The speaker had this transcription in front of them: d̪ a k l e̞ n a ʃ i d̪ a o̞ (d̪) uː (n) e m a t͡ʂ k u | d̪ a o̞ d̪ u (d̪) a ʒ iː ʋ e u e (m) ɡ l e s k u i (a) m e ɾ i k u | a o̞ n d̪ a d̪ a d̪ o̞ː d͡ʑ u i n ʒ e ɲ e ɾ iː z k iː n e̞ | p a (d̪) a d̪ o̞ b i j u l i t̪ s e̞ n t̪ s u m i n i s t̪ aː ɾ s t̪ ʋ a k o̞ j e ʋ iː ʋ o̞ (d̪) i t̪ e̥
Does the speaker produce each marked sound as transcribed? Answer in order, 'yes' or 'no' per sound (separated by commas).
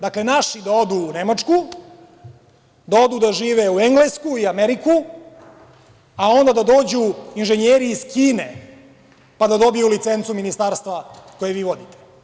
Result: yes, yes, yes, no, yes, yes, yes